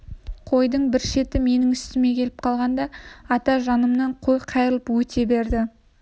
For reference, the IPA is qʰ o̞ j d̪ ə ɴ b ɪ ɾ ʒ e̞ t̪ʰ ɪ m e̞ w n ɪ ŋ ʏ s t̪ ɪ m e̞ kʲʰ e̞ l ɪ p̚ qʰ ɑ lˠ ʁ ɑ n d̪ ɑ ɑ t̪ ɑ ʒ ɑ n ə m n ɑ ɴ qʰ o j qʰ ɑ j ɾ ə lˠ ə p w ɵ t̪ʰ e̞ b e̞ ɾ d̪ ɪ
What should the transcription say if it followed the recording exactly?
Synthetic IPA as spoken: qʰ o̞ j d̪ ə ɴ b ɪ ɾ ʃ e̞ t̪ ɪ m e̞ n ɪ ŋ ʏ s t̪ ɪ m e̞ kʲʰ e̞ l ɪ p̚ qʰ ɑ lˠ ʁ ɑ n d̪ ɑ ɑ t̪ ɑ ʒ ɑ n ə m n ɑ ɴ qʰ o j qʰ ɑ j ɾ ə lˠ ə p w ɵ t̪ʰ e̞ b e̞ ɾ d̪ ɪ